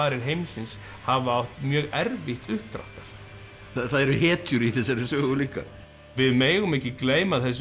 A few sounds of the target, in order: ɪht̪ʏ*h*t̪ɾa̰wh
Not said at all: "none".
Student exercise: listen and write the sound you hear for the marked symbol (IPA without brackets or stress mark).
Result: h